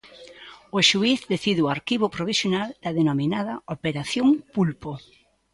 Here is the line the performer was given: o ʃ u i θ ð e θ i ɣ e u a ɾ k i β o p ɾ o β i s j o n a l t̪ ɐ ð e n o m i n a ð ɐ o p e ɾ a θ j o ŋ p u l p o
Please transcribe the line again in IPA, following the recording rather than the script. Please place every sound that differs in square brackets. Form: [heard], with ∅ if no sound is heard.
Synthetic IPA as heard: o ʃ u i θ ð e θ i [ð] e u a ɾ k i β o p ɾ o β i s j o n a l [d̪] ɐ ð e n o m i n a ð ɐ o p e ɾ a θ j o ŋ p u l p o